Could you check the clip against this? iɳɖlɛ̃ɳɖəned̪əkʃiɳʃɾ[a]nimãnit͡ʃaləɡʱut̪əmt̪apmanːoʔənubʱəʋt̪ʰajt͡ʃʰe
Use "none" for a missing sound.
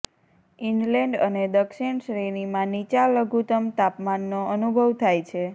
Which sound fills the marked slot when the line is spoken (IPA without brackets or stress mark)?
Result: e